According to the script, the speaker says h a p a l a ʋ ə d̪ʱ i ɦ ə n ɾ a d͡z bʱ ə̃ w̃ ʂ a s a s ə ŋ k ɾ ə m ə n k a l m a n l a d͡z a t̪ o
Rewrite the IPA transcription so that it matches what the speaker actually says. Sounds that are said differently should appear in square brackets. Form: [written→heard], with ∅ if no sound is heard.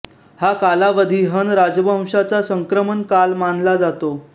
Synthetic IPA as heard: h a [p→k] a l a ʋ ə d̪ʱ i ɦ ə n ɾ a d͡z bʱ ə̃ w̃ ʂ a [s→t͡s] a s ə ŋ k ɾ ə m ə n k a l m a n l a d͡z a t̪ o